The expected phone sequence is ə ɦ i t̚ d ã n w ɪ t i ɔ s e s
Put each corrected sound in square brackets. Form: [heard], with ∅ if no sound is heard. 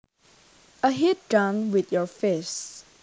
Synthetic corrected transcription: ə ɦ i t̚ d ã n w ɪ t [j] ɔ [f] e s